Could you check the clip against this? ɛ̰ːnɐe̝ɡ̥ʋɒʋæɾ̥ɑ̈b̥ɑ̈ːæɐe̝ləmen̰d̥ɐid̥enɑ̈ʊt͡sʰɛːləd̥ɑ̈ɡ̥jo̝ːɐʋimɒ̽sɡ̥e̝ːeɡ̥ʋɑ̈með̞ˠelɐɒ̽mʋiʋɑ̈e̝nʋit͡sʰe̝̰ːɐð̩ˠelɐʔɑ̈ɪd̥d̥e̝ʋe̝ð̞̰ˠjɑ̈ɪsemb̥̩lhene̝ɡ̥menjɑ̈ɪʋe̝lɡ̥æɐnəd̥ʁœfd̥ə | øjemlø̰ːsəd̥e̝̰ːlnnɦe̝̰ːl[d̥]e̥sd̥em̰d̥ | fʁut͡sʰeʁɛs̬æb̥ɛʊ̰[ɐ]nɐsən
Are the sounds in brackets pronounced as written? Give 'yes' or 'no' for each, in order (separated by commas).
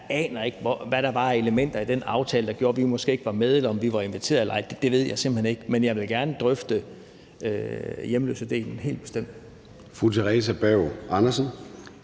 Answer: no, no